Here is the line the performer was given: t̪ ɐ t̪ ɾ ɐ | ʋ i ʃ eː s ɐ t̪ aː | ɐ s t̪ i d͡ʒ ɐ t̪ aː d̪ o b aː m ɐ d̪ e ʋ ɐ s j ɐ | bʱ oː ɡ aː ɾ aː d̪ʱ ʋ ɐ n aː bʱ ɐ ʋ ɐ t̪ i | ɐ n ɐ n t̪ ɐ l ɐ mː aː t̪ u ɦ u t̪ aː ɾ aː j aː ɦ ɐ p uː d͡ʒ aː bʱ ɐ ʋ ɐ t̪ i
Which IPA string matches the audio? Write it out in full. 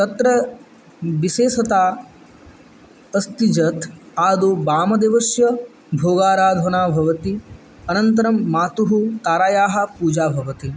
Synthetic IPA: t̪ ɐ t̪ ɾ ɐ | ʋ i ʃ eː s ɐ t̪ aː | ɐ s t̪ i d͡ʒ ɐ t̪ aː d̪ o b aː m ɐ d̪ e ʋ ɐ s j ɐ | bʱ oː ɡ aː ɾ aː d̪ʱ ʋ ɐ n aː bʱ ɐ ʋ ɐ t̪ i | ɐ n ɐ n t̪ ɐ ɾ ɐ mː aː t̪ u ɦ u t̪ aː ɾ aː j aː ɦ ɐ p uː d͡ʒ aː bʱ ɐ ʋ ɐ t̪ i